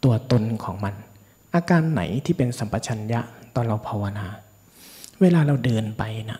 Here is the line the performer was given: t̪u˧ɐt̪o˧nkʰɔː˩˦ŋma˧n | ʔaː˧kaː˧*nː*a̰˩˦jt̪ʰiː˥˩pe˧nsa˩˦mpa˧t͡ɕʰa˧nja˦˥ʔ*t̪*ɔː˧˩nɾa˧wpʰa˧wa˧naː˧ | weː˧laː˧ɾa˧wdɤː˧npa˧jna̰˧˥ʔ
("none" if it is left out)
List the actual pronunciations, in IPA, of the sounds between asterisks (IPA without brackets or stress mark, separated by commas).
nː, t̪